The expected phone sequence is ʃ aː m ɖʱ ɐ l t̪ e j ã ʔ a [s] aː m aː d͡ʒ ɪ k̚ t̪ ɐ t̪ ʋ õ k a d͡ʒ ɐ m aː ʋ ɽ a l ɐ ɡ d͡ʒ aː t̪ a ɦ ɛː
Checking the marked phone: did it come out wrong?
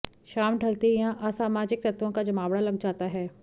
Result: no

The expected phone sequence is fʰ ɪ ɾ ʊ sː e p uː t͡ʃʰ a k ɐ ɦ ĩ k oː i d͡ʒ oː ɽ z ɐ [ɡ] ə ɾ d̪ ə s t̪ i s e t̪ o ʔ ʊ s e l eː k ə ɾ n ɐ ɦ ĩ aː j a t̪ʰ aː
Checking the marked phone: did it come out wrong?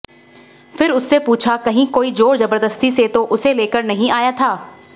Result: yes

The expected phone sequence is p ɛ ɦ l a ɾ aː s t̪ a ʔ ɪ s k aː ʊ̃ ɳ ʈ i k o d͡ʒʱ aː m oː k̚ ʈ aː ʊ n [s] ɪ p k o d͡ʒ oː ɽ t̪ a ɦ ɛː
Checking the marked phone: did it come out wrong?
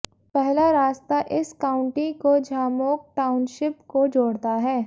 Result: yes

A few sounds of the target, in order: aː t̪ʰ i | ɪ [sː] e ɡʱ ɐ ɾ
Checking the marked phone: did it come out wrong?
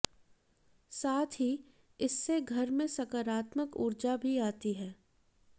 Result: no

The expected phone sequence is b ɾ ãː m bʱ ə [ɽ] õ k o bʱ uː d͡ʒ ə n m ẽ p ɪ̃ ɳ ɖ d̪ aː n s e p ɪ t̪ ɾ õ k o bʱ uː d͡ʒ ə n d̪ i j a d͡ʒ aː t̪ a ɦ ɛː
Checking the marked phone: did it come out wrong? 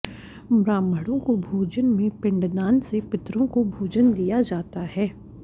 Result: no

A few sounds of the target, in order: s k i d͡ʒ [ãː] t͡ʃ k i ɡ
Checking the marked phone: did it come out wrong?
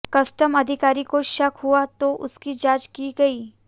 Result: yes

